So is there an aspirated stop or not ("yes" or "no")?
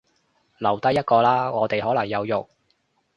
no